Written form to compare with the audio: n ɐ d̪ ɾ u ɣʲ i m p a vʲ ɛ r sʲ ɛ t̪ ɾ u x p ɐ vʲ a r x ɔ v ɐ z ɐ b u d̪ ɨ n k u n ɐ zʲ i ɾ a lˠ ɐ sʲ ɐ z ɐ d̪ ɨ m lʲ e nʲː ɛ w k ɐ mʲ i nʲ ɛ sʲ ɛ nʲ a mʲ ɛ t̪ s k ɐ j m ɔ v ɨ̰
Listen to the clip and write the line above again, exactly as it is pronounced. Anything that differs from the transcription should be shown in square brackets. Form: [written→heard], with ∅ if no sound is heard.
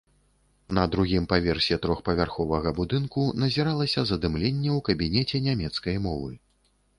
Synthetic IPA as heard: n ɐ d̪ ɾ u ɣʲ i m p a vʲ ɛ r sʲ ɛ t̪ ɾ [u→ɔ] x p ɐ vʲ a r x ɔ v ɐ [z→ɣ] ɐ b u d̪ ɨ n k u n ɐ zʲ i ɾ a lˠ ɐ sʲ ɐ z ɐ d̪ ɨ m lʲ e nʲː ɛ w k ɐ [mʲ→bʲ] i nʲ ɛ [sʲ→t͡sʲ] ɛ nʲ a mʲ ɛ t̪ s k ɐ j m ɔ v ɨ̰